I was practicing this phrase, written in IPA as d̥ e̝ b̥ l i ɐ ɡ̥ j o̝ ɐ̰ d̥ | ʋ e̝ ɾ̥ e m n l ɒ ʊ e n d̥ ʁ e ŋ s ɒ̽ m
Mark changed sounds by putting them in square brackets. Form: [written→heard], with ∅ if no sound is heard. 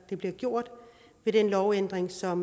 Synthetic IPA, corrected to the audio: d̥ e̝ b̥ l i ɐ ɡ̥ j o̝ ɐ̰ d̥ | ʋ e̝ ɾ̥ e [m→∅] n l ɒ ʊ e n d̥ ʁ e ŋ s ɒ̽ m